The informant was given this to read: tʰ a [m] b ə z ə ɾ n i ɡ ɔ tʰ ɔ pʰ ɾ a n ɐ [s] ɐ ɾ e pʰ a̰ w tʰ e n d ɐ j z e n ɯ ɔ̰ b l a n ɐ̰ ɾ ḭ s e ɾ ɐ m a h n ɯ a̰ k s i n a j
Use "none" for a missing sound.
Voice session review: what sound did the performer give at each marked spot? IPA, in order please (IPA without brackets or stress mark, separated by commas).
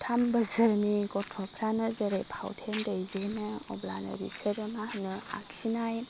m, z